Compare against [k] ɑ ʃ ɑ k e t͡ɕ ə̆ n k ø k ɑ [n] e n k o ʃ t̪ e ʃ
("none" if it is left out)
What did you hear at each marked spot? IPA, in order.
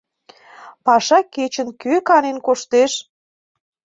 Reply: p, n

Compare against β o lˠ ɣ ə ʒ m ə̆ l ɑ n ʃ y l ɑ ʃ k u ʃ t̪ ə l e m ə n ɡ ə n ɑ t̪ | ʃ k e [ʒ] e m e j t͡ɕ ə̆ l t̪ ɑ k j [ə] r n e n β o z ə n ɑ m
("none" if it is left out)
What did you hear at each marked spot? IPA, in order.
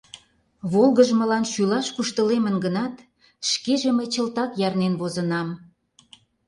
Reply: ʒ, ɑ

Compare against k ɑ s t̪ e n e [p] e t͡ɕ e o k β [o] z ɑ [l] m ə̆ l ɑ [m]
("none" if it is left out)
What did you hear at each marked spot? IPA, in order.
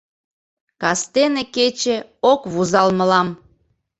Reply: k, u, l, m

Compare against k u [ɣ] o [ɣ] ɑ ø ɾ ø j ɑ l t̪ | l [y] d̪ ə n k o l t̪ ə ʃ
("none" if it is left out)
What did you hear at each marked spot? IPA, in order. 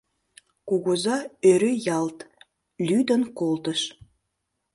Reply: ɣ, z, y

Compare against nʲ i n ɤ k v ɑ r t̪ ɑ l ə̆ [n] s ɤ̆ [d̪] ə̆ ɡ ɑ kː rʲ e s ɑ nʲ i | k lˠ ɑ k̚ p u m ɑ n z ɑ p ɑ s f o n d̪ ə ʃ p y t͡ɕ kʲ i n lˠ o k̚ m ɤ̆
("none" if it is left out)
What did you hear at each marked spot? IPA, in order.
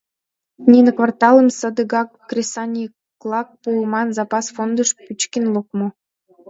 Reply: m, d̪

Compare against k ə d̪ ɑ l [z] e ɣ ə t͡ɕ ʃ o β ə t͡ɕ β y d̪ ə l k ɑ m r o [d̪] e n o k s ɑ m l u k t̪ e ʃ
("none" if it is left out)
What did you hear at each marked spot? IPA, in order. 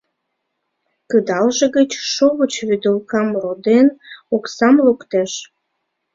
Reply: ʒ, d̪

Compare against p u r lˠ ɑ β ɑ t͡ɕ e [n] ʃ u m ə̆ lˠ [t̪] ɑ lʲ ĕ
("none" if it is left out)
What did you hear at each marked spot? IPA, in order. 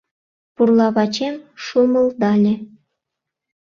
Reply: m, d̪

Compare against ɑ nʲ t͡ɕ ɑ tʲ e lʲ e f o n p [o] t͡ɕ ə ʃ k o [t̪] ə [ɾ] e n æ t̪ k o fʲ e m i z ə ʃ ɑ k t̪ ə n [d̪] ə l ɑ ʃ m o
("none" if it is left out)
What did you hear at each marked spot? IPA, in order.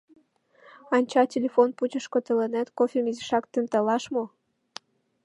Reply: u, t̪, l, t̪

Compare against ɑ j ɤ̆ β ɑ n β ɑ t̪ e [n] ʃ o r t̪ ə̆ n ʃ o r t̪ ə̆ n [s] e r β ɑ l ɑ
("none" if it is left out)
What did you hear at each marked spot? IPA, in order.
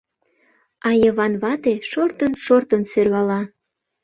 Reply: none, s

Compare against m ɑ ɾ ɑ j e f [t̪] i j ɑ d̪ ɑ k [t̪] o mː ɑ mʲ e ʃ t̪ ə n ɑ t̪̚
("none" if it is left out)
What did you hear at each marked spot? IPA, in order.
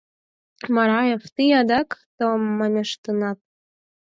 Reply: t̪, t̪

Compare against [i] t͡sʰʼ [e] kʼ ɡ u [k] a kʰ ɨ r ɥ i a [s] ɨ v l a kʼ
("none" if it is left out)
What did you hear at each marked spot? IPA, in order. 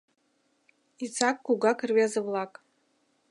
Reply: i, a, ɡ, z

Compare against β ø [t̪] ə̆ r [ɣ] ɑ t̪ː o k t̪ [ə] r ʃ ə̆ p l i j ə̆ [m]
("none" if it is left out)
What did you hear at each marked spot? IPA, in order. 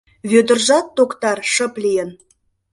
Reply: d̪, ʒ, ɑ, n

